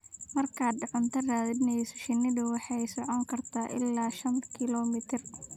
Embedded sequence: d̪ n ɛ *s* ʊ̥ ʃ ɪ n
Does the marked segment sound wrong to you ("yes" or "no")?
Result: no